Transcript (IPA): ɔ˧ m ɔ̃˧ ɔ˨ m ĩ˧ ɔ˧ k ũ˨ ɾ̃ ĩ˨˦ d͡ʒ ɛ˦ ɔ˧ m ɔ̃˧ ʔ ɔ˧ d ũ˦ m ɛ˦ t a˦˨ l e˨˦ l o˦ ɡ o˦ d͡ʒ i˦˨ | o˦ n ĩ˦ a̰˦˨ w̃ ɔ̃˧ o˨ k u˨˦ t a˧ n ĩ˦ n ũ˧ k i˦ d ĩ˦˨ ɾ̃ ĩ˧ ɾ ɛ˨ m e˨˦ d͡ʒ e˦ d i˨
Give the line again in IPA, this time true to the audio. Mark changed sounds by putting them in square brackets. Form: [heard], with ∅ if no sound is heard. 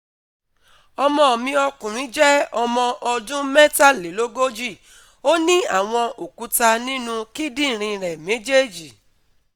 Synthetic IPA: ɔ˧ m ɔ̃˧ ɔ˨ m ĩ˧ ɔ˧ k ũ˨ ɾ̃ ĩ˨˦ d͡ʒ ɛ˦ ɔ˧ m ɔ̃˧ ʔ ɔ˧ d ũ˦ m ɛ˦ t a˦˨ l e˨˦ l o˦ ɡ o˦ d͡ʒ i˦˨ | o˦ n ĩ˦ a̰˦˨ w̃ ɔ̃˧ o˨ k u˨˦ t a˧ n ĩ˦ n ũ˧ k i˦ d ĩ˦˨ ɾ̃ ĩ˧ ɾ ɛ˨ m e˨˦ d͡ʒ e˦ [d͡ʒ] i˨